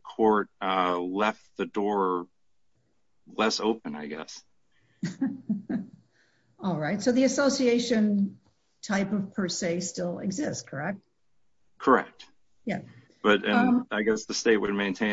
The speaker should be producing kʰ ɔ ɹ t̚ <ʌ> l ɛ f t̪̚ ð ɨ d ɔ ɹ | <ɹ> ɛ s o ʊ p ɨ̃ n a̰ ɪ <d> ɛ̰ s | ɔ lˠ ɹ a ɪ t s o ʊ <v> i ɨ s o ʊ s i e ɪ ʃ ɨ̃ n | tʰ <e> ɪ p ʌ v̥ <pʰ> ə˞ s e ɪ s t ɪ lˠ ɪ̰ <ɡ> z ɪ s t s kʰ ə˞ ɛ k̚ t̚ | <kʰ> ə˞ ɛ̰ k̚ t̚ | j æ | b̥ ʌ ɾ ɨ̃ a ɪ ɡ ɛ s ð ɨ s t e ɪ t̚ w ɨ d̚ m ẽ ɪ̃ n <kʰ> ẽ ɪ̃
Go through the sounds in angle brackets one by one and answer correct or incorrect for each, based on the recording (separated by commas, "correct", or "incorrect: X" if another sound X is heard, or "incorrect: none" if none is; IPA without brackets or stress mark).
correct, incorrect: l, incorrect: ɡ, incorrect: ð, incorrect: a, correct, correct, correct, incorrect: tʰ